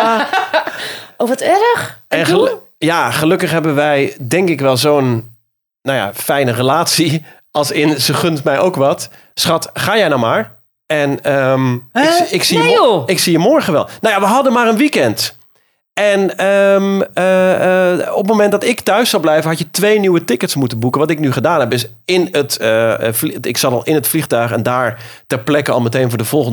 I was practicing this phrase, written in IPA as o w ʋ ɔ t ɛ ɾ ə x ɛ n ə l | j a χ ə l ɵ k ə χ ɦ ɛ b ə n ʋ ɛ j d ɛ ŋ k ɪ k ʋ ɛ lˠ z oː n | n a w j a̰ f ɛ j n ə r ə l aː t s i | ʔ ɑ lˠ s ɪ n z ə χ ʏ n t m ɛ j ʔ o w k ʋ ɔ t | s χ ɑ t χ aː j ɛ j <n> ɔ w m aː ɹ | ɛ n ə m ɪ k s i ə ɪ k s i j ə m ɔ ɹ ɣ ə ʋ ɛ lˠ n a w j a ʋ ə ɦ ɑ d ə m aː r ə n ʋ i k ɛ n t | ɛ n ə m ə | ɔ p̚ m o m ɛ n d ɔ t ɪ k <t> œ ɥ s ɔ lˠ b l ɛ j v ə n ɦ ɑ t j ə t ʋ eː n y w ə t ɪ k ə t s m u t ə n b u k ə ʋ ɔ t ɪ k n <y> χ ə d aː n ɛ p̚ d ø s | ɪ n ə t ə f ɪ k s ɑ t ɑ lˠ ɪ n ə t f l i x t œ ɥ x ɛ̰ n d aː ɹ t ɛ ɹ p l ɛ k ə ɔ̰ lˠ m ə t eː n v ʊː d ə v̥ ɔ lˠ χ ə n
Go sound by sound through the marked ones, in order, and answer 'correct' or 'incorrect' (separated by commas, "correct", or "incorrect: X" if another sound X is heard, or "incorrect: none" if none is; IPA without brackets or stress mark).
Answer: correct, correct, correct